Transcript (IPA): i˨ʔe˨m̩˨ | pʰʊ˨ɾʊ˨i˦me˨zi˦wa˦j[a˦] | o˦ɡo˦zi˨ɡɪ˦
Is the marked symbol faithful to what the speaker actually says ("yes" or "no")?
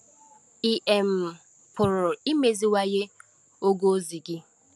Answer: no